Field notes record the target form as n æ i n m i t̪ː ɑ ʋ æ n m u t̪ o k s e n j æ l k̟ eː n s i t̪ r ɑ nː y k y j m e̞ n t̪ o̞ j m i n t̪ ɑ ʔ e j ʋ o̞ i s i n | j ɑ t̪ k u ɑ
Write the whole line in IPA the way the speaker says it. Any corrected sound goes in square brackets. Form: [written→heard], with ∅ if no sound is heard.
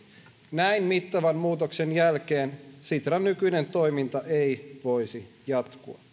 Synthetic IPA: n æ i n m i t̪ː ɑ ʋ æ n m [u→uː] t̪ o k s e n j æ l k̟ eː n s i t̪ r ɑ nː y k y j [m→n] e̞ n t̪ o̞ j m i n t̪ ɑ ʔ e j ʋ o̞ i s i [n→∅] | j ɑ t̪ k u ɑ